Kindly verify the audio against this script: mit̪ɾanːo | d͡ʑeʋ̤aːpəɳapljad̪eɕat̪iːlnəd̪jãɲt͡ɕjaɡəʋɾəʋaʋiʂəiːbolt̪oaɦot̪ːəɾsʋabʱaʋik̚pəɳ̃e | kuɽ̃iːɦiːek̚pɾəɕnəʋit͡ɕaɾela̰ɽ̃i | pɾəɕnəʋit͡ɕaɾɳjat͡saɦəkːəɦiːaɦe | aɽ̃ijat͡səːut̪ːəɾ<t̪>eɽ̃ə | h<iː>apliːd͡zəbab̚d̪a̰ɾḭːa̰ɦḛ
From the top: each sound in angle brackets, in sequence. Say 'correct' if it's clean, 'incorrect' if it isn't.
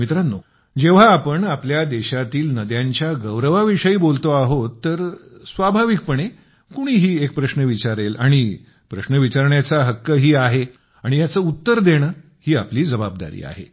incorrect: d̪, correct

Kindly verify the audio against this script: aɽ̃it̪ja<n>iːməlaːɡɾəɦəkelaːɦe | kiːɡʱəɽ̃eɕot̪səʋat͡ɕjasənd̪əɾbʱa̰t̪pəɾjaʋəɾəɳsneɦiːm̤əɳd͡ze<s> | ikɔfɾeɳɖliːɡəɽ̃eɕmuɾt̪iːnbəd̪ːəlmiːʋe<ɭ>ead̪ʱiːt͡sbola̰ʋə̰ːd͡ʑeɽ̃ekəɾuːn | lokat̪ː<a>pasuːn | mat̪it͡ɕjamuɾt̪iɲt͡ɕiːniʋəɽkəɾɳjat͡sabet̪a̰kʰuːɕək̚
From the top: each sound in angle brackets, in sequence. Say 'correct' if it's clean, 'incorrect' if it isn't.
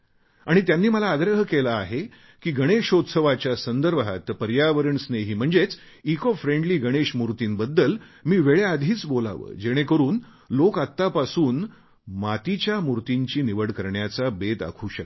incorrect: nː, incorrect: t͡s, correct, correct

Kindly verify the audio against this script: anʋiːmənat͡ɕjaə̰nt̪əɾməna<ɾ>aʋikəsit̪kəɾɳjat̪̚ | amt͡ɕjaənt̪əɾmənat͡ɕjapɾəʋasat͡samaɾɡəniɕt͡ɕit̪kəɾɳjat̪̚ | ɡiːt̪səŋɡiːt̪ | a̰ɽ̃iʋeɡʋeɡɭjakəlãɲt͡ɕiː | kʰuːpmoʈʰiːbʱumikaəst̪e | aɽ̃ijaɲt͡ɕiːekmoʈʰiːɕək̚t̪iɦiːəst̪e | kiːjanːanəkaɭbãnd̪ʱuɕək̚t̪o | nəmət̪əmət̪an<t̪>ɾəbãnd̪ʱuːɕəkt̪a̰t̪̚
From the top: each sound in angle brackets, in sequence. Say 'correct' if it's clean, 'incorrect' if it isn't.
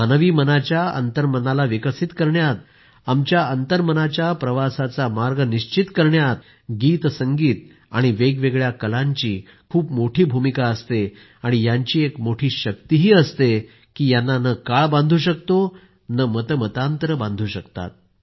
incorrect: l, correct

